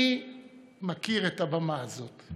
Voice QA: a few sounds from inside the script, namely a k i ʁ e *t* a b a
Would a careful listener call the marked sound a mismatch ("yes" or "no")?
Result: no